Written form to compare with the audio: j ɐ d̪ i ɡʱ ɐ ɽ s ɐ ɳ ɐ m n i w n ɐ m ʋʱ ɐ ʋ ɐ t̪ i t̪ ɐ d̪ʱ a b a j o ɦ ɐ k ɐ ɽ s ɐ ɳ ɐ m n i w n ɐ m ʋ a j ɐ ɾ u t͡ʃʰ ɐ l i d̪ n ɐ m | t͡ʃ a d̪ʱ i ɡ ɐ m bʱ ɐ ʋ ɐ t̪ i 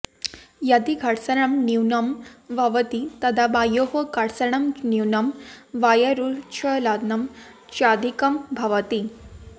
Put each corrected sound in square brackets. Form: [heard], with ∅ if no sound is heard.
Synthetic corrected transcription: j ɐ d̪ i ɡʱ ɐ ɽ s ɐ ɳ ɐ m n i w n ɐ m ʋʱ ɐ ʋ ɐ t̪ i t̪ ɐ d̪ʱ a b a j o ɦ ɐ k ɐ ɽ s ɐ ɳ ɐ m n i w n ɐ m ʋ a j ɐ ɾ u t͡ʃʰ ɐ l [a] d̪ n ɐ m | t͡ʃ a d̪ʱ i [k] ɐ m bʱ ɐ ʋ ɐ t̪ i